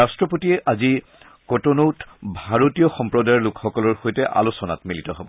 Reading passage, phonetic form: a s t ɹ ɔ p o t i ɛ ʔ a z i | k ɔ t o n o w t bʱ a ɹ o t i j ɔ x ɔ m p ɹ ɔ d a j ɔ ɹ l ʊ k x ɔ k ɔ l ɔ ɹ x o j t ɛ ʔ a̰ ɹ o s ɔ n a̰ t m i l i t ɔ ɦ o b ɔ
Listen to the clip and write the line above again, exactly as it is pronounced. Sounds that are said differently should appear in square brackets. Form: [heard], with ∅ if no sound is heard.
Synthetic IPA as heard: a s t ɹ ɔ p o t i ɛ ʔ a z i | k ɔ t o n o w t bʱ a ɹ o t i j ɔ x ɔ m p ɹ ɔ d a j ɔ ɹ l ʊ k x ɔ k ɔ l ɔ ɹ x o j t ɛ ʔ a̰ [l] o s ɔ n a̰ t m i l i t ɔ ɦ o b ɔ